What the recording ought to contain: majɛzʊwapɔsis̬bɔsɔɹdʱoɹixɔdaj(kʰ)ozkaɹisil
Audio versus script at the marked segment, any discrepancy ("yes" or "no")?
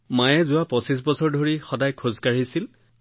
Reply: no